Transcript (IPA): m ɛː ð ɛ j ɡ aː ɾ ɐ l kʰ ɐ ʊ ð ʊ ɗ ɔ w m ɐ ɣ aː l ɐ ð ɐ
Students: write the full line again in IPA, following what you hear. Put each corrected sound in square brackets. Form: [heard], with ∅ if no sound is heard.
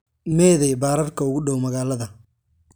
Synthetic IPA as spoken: m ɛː ð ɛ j [b] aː ɾ ɐ [r] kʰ ɐ ʊ [ɣ] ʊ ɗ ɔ w m ɐ ɣ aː l ɐ ð ɐ